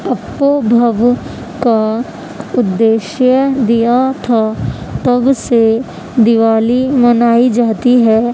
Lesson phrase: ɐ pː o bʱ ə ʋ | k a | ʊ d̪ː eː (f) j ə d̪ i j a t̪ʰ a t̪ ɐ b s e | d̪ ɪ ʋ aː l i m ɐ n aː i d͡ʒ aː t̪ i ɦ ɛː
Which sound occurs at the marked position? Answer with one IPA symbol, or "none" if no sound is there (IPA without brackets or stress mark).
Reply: ʃ